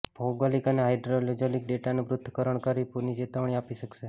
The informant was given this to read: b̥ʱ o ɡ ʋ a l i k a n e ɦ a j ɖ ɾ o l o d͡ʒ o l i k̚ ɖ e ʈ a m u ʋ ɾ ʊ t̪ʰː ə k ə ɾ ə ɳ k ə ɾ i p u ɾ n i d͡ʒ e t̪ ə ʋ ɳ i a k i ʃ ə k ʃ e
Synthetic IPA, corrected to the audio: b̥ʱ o ɡ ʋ a l i k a n e ɦ a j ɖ ɾ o l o d͡ʒ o l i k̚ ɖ e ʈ a n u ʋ ɾ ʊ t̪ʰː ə k ə ɾ ə ɳ k ə ɾ i p u ɾ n i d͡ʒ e t̪ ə ʋ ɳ i a p i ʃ ə k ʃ e